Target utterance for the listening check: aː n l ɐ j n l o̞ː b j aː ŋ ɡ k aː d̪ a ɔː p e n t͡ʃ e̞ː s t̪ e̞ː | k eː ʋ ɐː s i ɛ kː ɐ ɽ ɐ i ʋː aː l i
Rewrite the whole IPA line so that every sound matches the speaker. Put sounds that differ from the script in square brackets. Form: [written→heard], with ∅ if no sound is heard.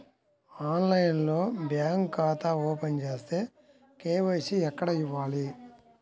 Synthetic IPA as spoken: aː n l ɐ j n l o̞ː b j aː ŋ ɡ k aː [d̪→t̪] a ɔː p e n t͡ʃ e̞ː s t̪ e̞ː | k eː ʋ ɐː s i ɛ kː ɐ ɽ ɐ i ʋː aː l i